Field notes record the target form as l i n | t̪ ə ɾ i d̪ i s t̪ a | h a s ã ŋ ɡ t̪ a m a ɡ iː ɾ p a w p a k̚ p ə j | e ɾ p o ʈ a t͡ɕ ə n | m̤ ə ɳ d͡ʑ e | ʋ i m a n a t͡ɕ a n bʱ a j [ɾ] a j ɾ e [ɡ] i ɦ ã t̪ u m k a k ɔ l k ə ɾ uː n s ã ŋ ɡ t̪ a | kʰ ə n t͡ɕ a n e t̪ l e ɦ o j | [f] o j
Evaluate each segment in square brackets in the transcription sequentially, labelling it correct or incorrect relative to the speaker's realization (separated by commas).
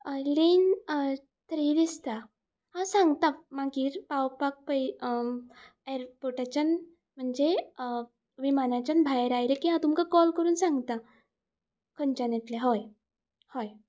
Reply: correct, incorrect, incorrect